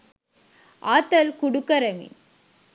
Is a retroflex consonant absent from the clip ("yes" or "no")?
no